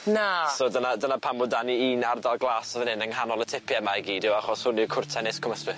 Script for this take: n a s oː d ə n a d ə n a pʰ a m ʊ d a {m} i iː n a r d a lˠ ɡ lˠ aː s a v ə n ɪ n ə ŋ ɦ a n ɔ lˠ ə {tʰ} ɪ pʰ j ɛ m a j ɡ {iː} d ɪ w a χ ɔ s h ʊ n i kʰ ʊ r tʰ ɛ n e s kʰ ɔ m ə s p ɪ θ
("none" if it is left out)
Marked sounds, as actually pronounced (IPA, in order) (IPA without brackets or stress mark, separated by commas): n, tʰ, iː